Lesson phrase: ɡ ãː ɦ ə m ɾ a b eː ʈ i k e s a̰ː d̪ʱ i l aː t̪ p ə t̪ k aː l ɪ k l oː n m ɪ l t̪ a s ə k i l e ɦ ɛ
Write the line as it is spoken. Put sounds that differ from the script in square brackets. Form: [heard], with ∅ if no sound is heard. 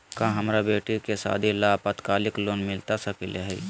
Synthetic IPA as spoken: [k] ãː ɦ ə m ɾ a b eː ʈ i k e s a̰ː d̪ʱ i l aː [∅] p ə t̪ k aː l ɪ k l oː n m ɪ l t̪ a s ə k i l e ɦ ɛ